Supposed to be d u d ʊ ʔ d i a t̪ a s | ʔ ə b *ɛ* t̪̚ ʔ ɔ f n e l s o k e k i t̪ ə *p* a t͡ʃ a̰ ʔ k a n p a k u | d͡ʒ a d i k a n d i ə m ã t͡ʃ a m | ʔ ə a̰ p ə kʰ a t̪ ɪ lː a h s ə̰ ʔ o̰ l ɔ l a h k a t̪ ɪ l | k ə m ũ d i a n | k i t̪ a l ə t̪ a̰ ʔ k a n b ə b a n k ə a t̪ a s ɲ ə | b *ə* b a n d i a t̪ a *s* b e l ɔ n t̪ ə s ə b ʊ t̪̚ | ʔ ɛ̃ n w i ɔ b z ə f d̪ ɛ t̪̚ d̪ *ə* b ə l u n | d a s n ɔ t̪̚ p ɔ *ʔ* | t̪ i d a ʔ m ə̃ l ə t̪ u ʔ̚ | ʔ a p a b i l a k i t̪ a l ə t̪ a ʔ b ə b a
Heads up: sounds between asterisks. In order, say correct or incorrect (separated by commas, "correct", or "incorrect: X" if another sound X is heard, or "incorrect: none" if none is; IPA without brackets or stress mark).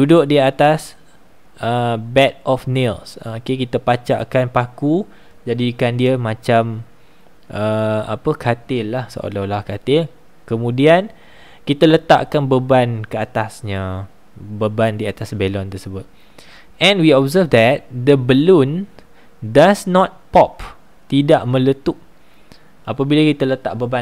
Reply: correct, correct, correct, correct, correct, incorrect: p